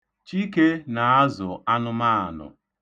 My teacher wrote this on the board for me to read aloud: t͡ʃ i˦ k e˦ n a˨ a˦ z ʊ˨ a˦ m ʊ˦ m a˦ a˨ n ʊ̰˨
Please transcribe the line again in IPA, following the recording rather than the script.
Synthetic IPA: t͡ʃ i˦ k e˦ n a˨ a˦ z ʊ˨ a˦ n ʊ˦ m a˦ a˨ n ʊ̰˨